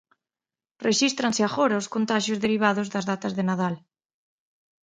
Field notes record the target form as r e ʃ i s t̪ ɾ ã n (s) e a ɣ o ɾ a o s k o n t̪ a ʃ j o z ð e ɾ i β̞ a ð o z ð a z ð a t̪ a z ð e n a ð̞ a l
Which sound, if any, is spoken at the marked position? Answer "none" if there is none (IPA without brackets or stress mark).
s